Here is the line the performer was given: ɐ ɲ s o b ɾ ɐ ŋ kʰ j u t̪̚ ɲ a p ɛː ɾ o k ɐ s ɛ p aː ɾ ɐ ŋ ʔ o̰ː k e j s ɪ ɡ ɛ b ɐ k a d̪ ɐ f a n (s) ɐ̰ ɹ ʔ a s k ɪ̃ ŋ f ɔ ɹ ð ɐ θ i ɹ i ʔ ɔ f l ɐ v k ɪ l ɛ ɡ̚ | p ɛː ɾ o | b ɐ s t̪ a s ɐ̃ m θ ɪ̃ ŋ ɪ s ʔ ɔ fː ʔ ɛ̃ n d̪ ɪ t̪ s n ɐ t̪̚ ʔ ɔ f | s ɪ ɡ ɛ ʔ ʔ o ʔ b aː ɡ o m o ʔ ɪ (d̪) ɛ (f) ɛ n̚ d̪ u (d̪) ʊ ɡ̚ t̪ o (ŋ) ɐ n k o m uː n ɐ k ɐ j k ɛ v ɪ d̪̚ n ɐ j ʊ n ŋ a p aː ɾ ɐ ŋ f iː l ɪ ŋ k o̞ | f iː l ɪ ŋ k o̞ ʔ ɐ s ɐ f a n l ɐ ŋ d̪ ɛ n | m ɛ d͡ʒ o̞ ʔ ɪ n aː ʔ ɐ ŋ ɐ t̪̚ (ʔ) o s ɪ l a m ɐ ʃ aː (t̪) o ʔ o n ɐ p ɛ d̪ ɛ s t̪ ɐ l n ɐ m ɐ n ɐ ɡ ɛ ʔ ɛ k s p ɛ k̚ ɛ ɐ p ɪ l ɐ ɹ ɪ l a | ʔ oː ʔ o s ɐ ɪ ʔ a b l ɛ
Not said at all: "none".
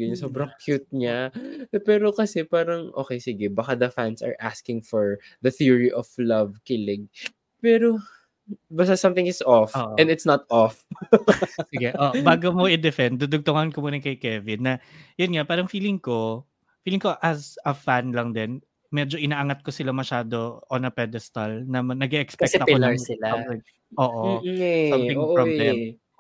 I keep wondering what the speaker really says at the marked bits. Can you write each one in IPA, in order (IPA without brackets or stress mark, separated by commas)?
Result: s, d̪, f, d̪, ŋ, k, d̪